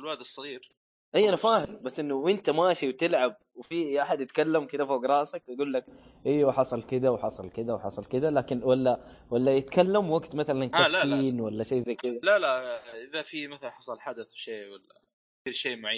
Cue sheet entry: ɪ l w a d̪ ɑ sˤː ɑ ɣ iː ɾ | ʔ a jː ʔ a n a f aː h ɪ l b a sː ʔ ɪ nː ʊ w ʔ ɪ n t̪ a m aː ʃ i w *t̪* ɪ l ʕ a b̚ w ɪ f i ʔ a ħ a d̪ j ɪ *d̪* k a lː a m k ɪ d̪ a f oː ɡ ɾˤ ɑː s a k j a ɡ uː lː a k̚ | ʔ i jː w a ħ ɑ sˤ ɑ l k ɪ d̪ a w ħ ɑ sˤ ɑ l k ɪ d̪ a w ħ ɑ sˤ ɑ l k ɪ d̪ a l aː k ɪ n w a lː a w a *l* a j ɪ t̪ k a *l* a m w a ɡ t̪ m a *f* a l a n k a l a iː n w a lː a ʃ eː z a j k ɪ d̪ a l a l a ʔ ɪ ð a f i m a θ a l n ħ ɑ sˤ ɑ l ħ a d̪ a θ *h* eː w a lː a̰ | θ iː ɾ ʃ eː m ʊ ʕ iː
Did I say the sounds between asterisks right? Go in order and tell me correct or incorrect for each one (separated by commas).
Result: correct, incorrect, incorrect, incorrect, incorrect, incorrect